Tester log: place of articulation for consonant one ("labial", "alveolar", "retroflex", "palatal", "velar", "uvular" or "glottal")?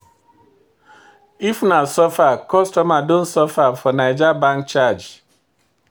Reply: labial